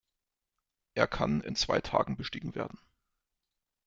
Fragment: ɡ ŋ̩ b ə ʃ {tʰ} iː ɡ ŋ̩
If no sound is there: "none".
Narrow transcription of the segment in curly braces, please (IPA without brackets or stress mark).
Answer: t